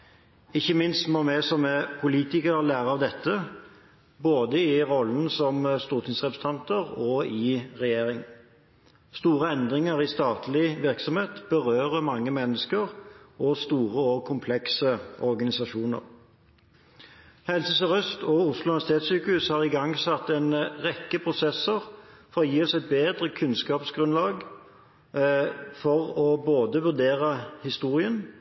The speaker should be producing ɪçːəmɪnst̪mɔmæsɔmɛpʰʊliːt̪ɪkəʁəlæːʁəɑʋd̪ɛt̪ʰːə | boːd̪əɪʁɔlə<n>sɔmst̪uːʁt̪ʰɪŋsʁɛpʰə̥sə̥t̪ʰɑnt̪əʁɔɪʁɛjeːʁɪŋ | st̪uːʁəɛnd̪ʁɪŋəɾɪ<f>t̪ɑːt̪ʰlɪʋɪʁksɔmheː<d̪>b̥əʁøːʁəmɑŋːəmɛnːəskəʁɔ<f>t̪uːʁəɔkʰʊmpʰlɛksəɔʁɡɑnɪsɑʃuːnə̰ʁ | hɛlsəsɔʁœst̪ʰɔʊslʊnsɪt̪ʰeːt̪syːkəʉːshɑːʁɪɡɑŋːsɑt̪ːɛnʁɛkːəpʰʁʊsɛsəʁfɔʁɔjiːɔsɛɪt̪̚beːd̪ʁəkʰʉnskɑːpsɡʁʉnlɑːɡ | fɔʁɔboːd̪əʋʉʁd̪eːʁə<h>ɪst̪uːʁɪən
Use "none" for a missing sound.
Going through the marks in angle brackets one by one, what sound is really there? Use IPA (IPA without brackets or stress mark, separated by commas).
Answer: n, s, t̪, s, h